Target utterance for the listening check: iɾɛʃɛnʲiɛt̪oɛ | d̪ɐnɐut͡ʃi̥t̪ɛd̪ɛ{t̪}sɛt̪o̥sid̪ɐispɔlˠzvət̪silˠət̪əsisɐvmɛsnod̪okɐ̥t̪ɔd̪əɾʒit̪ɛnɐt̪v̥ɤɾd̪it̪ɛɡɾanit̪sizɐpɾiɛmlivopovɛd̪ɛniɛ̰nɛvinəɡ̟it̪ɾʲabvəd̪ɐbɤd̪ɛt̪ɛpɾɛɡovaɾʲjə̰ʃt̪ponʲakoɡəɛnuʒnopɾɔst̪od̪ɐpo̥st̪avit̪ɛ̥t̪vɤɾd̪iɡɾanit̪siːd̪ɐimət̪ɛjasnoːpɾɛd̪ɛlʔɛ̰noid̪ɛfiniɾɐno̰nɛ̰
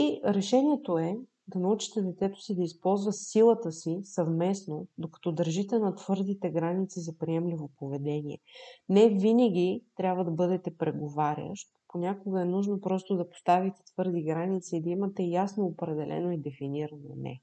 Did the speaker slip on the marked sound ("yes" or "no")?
no